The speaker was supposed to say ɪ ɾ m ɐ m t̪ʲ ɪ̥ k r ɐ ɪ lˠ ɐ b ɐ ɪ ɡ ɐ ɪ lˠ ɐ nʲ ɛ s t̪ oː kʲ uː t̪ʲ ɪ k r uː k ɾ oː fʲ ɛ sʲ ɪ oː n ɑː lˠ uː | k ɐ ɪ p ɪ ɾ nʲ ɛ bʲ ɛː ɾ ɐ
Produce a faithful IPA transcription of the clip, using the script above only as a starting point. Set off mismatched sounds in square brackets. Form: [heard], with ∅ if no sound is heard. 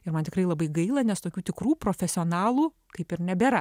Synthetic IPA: ɪ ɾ m ɐ [n] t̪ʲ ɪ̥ k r ɐ ɪ lˠ ɐ b ɐ ɪ ɡ ɐ ɪ lˠ ɐ nʲ ɛ s t̪ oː kʲ uː t̪ʲ ɪ k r uː [p] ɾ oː fʲ ɛ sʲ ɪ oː n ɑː lˠ uː | k ɐ ɪ p ɪ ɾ nʲ ɛ bʲ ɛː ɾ ɐ